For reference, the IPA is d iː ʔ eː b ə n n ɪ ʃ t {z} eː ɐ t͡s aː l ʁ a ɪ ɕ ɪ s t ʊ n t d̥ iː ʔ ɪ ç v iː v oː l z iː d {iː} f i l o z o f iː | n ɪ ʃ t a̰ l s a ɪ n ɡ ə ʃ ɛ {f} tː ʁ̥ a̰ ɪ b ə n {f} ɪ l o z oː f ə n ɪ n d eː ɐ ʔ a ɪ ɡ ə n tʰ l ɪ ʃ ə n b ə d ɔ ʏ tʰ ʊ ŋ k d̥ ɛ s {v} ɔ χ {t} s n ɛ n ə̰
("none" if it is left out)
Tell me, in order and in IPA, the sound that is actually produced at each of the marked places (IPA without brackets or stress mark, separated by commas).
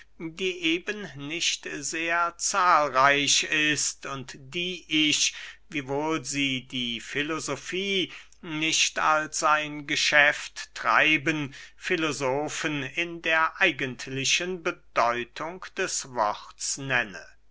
z, iː, f, f, v, t